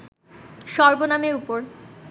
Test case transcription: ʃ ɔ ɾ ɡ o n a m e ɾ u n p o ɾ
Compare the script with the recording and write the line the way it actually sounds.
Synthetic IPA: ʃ ɔ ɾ b o n a m e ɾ u p o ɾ